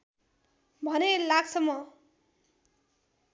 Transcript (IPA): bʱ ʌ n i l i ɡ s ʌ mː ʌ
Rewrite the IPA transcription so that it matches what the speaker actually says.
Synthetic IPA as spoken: bʱ ʌ n e l a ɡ s ʌ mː ʌ